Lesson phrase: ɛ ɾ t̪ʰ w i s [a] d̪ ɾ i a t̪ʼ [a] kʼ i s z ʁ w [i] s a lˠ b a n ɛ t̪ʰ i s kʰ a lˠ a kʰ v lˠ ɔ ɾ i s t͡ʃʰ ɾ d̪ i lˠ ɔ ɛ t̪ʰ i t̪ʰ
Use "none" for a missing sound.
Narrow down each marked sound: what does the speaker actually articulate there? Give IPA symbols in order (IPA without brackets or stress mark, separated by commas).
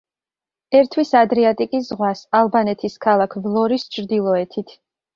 a, i, a